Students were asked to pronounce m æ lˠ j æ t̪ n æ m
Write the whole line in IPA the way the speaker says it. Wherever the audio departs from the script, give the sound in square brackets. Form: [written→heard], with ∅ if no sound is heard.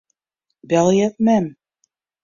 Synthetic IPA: [m→b] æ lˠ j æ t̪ [n→m] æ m